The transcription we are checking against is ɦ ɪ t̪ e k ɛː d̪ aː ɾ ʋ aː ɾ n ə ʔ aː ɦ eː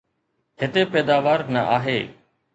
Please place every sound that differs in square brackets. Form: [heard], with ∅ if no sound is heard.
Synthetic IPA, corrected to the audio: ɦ ɪ t̪ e [p] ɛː d̪ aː [∅] ʋ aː ɾ n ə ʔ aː ɦ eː